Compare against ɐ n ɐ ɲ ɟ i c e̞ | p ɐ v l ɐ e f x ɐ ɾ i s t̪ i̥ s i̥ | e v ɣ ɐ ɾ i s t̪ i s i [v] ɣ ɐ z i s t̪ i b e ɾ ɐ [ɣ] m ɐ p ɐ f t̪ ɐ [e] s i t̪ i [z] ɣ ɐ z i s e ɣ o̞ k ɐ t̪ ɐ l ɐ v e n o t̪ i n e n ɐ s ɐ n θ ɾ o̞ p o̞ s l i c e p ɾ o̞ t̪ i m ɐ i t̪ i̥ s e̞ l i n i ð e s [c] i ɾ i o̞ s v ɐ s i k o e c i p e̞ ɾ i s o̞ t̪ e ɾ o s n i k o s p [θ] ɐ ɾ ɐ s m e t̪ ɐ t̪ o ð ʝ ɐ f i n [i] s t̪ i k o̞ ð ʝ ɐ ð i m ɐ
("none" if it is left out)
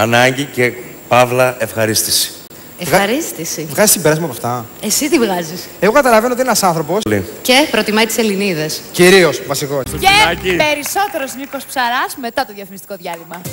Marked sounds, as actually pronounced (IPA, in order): v, z, e, v, c, s, i

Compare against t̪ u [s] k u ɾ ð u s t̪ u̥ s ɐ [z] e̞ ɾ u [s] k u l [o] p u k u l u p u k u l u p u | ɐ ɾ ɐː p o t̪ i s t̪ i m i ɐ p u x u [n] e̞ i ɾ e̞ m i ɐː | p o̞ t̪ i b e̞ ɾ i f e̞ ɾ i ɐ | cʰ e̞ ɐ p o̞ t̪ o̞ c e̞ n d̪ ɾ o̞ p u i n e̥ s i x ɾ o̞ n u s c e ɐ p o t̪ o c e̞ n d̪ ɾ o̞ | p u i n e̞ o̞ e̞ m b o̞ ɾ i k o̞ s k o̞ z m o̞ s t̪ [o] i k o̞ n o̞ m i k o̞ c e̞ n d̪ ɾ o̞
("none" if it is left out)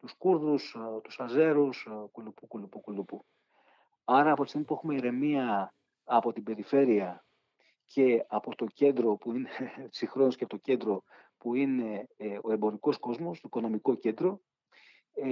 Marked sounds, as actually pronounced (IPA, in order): s, z, s, u, m, o

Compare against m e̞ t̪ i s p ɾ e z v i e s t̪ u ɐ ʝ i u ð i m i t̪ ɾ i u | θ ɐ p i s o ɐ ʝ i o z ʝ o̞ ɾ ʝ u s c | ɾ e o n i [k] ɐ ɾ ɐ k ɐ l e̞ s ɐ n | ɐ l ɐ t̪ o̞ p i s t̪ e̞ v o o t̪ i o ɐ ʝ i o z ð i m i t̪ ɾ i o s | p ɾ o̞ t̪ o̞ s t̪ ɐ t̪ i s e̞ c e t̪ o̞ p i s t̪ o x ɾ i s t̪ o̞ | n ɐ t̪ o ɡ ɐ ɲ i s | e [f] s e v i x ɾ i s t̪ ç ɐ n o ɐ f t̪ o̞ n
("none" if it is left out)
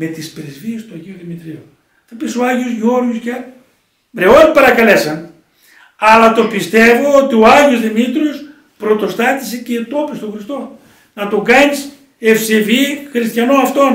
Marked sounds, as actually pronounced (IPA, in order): p, f

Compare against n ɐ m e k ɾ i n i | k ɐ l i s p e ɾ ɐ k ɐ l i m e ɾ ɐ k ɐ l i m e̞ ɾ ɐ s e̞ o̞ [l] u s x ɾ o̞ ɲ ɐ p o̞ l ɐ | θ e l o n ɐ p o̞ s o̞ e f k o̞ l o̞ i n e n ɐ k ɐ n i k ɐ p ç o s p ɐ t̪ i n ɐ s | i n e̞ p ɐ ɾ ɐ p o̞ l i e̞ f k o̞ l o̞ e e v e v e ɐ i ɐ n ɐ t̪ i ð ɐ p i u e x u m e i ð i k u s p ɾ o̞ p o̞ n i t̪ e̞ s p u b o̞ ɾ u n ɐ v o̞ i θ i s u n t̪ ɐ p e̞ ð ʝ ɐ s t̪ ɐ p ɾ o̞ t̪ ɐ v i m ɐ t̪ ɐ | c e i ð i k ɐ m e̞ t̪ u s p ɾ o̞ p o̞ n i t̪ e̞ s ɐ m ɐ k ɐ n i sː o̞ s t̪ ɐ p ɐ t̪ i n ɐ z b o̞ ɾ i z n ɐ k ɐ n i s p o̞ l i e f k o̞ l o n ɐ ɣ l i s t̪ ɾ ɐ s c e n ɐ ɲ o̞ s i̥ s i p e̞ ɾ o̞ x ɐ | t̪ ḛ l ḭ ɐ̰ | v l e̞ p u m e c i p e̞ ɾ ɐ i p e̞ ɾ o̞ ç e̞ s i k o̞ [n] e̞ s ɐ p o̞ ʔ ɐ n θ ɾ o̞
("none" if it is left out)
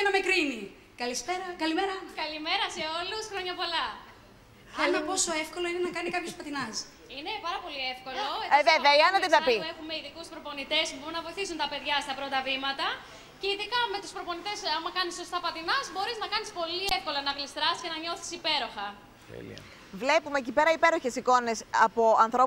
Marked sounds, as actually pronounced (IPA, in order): l, n

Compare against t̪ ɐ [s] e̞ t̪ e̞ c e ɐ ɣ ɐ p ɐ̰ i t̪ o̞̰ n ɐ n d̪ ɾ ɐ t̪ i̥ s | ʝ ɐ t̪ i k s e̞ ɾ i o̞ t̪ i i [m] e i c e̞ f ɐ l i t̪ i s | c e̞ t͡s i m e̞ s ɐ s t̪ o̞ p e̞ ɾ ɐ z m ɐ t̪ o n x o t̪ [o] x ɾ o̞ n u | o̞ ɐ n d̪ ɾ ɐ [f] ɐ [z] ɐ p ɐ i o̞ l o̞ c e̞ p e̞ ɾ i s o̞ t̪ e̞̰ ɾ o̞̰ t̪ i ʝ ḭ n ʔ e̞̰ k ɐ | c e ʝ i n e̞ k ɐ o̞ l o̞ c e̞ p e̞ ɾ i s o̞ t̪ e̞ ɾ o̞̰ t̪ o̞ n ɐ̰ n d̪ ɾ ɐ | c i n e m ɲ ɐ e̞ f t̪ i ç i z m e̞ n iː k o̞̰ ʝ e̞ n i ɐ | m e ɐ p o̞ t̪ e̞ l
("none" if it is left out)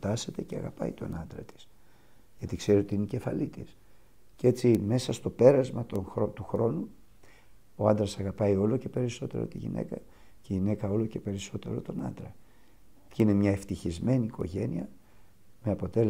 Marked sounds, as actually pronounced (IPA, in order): s, n, u, s, ɣ

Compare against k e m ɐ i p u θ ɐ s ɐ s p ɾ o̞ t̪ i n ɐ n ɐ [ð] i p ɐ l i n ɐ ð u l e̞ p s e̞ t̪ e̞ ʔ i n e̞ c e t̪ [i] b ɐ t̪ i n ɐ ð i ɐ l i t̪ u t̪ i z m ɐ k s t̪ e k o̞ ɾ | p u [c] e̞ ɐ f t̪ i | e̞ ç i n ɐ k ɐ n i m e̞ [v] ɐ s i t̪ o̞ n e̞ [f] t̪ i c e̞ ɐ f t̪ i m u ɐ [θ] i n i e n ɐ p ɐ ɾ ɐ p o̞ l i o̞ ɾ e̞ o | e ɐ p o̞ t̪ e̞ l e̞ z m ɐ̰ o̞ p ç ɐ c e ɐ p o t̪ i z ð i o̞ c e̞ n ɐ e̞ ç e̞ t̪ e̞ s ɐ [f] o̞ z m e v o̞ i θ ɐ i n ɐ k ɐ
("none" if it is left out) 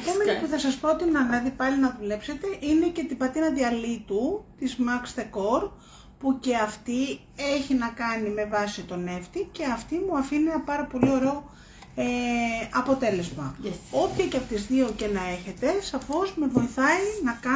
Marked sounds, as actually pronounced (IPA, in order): ð, i, c, v, f, f, f

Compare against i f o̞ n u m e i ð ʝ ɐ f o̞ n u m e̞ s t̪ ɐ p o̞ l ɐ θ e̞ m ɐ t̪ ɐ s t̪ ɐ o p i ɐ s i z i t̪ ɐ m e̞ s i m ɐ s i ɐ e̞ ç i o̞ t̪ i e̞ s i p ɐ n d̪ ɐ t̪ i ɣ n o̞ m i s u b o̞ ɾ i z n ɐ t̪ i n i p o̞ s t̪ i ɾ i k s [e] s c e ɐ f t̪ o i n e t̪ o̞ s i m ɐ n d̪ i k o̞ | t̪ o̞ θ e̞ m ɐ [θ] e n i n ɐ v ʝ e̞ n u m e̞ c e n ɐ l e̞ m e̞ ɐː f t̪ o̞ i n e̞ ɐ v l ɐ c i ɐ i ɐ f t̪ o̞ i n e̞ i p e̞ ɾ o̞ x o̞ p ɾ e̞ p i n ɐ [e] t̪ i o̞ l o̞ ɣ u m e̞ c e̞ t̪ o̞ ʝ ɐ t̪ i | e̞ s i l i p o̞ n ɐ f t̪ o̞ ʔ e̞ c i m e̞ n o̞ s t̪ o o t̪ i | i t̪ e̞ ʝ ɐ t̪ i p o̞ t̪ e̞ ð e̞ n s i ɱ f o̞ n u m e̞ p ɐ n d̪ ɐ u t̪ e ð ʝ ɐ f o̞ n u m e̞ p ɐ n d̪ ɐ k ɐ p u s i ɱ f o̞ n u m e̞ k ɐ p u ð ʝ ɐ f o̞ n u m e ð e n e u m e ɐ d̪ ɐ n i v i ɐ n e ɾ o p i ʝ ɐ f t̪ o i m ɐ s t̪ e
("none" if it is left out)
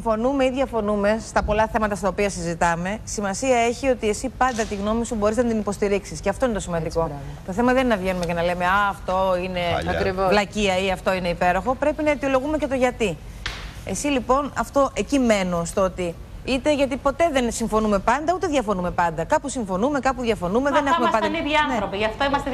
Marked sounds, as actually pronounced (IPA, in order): i, ð, e

